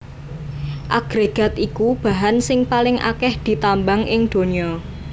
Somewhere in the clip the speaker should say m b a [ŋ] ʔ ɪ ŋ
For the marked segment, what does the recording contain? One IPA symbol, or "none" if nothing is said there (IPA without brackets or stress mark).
ŋ